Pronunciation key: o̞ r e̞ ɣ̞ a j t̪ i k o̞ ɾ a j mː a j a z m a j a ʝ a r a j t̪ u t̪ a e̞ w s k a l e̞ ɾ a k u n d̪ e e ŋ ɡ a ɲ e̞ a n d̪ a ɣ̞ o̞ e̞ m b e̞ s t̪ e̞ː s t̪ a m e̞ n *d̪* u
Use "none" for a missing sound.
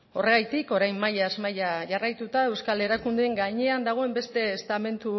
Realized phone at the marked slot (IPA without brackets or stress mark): t̪